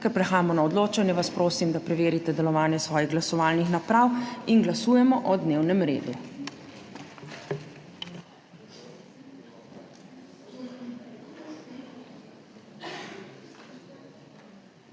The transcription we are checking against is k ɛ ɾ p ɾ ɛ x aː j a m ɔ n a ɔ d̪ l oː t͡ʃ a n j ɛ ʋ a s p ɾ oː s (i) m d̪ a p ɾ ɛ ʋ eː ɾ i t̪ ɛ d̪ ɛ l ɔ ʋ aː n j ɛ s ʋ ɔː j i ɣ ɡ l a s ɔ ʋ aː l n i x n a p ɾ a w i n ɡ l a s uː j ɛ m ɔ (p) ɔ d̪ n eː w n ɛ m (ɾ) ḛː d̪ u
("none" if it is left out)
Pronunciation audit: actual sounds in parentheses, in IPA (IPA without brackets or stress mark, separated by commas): i, ʔ, ɾ